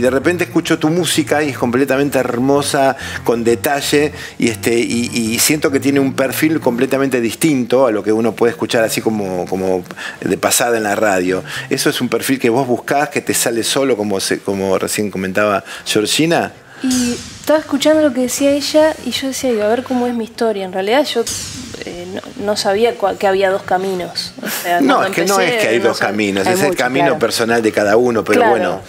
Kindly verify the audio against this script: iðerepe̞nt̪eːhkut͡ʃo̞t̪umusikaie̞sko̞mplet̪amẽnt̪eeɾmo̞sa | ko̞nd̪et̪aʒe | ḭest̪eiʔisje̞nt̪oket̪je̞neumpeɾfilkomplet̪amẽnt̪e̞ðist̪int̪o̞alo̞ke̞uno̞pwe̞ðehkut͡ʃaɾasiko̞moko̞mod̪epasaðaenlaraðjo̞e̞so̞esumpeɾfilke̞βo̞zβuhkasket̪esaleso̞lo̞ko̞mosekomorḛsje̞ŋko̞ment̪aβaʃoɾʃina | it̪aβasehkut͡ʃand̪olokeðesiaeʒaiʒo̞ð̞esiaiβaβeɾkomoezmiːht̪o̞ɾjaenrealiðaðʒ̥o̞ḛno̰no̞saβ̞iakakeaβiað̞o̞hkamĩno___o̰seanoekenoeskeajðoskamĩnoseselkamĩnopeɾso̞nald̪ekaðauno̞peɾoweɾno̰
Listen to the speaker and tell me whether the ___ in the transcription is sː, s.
s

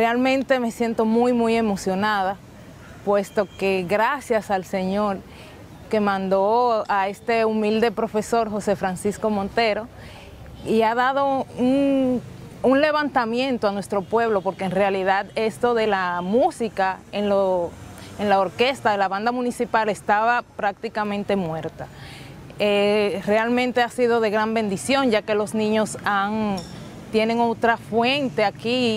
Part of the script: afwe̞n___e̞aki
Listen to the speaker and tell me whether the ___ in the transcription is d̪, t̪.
t̪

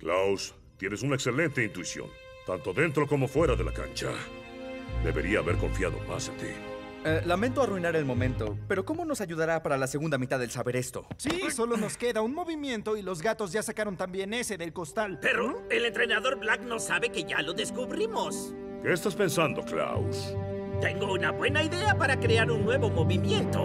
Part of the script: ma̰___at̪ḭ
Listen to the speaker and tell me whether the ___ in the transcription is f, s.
s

